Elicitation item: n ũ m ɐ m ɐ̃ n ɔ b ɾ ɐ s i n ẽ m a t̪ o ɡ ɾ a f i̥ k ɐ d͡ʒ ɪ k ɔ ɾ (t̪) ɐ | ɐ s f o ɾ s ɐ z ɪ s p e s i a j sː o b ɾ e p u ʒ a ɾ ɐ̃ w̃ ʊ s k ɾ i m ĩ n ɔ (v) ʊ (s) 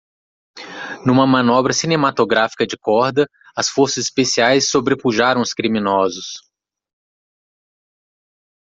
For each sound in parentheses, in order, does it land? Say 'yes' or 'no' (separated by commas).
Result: no, no, yes